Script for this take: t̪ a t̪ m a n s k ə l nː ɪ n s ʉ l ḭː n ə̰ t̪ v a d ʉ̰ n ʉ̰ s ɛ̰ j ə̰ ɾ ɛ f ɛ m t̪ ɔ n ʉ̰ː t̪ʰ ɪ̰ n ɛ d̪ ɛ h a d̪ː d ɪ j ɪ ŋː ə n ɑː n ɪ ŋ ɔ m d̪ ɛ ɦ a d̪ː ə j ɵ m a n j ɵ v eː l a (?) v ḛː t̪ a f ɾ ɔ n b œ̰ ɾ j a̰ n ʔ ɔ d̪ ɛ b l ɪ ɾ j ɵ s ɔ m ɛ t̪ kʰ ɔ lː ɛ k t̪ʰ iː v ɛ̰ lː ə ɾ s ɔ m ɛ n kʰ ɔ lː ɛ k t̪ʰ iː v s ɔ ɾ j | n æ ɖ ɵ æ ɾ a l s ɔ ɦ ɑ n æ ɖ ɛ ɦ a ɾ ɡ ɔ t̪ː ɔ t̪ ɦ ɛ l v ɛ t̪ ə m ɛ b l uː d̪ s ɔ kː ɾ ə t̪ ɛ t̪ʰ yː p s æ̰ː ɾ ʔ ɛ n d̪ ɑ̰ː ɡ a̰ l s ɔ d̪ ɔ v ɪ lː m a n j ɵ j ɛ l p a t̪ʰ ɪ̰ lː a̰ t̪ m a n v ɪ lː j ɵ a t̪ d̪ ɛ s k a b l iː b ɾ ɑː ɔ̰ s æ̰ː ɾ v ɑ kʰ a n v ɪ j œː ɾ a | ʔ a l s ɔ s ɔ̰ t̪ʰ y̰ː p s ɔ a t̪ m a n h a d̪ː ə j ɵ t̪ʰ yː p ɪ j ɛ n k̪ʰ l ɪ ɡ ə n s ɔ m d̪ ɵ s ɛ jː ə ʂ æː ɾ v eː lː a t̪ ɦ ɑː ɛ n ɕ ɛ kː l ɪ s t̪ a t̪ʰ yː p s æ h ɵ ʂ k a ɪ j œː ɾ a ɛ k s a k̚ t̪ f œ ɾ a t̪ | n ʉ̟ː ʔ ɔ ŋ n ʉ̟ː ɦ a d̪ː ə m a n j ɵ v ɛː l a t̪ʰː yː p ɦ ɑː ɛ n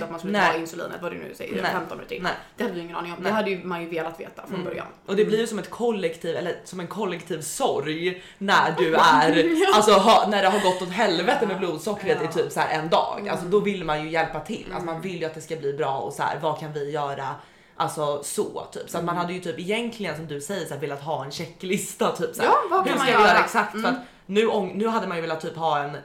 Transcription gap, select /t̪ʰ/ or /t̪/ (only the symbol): t̪